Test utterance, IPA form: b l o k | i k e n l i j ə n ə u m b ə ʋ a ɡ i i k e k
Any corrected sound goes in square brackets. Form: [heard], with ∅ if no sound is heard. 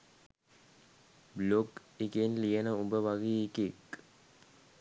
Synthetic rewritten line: b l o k | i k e n l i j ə n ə u m b ə ʋ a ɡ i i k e k